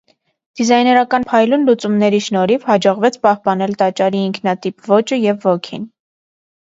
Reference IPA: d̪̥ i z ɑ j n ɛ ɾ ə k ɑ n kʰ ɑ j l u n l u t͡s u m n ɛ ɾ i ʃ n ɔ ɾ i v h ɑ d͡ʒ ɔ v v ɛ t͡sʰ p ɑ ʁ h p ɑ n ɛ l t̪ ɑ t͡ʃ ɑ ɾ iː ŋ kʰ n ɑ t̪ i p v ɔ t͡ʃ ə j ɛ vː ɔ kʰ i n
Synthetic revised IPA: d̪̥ i z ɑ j n ɛ ɾ ɑ k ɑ n pʰ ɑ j l u n l u t͡s u m n ɛ ɾ i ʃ n ɔ ɾ i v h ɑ d͡ʒ ɔ ʁ v ɛ t͡sʰ p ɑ h p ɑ n ɛ l t̪ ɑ t͡ʃ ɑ ɾ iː ŋ kʰ n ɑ t̪ i p v ɔ t͡ʃ ə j ɛ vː ɔ kʰ i n